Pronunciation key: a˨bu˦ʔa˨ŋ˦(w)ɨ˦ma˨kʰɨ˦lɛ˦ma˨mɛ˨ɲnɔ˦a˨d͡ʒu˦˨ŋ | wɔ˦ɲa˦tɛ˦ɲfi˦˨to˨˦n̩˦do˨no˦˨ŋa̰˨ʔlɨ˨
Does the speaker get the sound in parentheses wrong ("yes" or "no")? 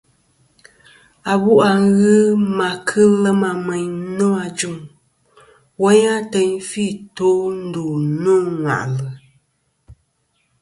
yes